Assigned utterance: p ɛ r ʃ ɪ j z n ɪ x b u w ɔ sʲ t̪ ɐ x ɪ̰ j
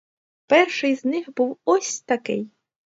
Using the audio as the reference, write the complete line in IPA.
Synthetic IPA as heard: p ɛ r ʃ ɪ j z n ɪ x b u w ɔ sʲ t̪ ɐ k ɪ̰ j